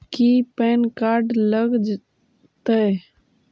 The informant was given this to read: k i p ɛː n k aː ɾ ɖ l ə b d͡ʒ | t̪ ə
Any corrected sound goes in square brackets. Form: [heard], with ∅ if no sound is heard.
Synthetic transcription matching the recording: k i p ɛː n k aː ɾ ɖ l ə [ɡ] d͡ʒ | t̪ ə